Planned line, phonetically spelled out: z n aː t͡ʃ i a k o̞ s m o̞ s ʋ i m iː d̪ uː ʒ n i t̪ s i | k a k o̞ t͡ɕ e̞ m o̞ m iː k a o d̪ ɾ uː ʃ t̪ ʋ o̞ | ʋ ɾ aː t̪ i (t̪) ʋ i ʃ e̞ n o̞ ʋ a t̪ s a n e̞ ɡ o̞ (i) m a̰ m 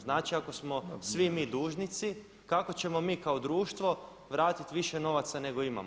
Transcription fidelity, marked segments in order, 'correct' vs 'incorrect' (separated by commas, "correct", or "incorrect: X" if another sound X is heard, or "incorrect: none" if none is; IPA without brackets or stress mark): correct, correct